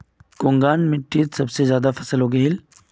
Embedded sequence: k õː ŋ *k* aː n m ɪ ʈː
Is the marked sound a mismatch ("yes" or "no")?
yes